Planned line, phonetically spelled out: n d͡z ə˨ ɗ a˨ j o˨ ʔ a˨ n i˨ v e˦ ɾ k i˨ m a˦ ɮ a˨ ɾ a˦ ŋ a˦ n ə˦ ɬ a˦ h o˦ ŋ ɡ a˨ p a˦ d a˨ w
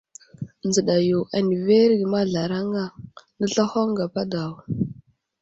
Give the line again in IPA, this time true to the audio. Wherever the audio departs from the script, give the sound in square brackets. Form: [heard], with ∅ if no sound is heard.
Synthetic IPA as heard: n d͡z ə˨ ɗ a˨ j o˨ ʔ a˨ n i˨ v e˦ ɾ [ɡ] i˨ m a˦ ɮ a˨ ɾ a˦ ŋ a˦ n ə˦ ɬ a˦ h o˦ ŋ ɡ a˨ p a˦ d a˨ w